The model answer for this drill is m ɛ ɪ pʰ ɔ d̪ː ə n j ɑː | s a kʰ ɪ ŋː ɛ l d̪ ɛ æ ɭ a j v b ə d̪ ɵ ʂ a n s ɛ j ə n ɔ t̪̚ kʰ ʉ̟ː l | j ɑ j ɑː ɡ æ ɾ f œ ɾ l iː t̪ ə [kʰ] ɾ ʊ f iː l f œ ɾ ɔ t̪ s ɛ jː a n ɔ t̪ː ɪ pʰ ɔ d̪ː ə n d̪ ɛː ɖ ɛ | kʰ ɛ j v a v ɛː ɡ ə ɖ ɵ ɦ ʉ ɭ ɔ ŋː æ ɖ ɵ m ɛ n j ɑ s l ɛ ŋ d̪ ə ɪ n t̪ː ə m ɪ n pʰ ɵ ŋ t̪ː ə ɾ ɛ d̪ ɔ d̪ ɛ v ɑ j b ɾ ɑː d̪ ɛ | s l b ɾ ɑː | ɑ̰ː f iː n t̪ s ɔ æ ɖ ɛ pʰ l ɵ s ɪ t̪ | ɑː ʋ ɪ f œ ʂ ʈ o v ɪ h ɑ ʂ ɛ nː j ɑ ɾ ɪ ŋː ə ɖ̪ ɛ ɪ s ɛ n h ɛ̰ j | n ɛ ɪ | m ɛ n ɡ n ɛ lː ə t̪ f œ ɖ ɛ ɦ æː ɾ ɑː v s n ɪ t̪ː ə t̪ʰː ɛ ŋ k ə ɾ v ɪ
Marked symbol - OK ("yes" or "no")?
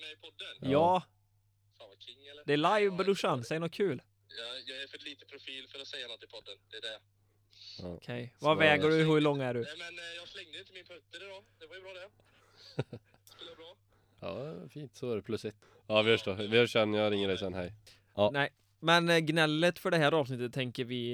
no